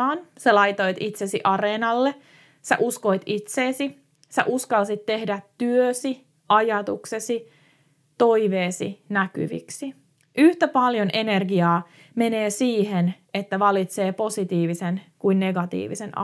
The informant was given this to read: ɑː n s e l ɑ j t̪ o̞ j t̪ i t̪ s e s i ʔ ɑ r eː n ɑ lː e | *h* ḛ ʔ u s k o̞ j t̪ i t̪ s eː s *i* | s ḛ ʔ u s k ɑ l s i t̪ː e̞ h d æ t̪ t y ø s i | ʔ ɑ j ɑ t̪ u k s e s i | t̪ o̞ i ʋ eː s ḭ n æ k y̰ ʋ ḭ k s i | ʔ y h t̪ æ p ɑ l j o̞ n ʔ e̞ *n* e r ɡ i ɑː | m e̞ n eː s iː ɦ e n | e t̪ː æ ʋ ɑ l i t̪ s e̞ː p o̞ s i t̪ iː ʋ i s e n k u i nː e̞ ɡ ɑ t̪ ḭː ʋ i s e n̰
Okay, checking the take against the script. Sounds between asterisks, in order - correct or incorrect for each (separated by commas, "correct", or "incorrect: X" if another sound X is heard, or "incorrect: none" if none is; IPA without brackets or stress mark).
incorrect: s, correct, correct